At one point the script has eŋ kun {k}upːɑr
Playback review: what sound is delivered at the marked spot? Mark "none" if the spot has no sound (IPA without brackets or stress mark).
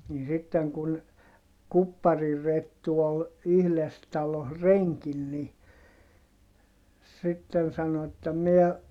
k